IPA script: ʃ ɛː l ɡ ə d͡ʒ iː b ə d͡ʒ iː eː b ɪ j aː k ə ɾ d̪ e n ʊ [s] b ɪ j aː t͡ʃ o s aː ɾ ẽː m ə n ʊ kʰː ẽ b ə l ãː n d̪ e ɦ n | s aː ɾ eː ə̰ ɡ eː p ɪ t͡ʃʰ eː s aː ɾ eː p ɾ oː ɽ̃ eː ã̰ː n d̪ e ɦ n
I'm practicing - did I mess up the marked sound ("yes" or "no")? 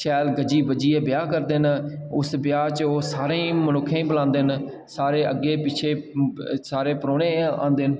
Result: no